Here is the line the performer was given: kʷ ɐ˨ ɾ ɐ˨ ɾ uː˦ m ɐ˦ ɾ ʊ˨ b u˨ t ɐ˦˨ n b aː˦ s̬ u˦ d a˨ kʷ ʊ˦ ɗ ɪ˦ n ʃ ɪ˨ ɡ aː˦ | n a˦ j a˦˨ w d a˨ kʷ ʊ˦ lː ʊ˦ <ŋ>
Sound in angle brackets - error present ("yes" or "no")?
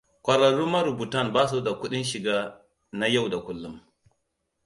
yes